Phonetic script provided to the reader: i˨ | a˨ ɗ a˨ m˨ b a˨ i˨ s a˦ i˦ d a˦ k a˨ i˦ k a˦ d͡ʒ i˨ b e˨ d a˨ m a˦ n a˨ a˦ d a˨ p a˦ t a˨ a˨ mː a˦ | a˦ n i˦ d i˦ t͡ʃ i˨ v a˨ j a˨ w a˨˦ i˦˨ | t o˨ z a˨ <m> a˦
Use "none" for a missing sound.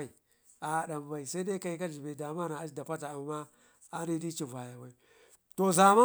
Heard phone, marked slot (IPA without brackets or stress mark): m